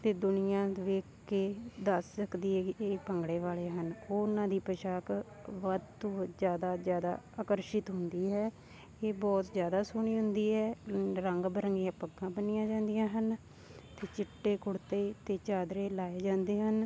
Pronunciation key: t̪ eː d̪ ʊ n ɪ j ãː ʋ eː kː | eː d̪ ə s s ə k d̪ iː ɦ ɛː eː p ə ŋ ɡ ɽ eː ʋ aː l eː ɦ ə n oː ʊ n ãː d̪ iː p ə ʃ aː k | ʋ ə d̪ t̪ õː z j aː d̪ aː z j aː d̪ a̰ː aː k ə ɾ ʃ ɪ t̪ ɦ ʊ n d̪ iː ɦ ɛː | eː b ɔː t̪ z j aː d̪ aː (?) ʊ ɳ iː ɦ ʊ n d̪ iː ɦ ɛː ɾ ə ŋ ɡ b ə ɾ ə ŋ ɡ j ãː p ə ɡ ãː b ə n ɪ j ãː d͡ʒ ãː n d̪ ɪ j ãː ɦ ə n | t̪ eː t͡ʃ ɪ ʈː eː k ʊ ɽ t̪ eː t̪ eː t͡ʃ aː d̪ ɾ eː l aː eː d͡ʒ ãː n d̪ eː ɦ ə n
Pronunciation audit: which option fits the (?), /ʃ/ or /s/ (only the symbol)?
s